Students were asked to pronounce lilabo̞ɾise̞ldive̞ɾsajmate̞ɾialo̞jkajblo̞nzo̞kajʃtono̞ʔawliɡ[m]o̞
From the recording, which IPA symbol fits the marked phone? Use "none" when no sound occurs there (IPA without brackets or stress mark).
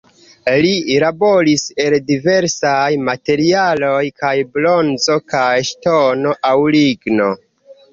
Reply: n